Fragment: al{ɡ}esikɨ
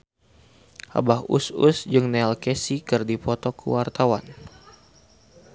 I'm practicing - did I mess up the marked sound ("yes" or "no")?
yes